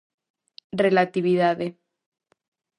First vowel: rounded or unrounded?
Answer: unrounded